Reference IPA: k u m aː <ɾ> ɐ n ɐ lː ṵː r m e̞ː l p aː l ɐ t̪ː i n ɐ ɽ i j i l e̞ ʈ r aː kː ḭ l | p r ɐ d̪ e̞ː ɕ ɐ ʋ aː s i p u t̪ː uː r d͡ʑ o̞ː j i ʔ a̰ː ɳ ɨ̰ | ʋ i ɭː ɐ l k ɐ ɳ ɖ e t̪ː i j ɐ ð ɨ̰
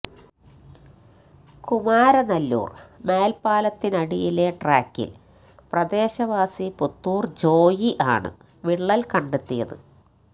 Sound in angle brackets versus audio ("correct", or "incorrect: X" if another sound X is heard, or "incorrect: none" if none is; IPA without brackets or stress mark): correct